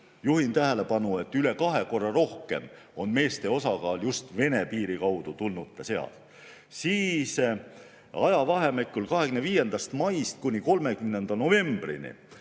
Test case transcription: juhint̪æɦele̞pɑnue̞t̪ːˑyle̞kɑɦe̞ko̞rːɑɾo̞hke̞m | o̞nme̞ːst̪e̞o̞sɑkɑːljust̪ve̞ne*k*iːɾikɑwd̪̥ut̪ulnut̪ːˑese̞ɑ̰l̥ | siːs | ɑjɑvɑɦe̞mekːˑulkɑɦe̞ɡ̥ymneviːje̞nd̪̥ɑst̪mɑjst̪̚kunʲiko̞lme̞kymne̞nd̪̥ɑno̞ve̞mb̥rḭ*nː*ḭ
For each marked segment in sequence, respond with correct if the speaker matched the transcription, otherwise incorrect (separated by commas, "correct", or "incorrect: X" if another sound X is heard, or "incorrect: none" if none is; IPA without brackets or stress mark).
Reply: incorrect: p, incorrect: n